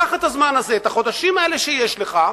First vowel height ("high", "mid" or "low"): low